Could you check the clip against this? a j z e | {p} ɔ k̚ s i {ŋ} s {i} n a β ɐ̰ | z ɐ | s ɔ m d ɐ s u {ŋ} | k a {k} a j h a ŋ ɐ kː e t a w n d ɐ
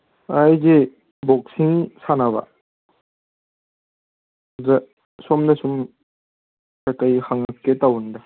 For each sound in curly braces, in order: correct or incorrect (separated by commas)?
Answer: incorrect, correct, incorrect, incorrect, correct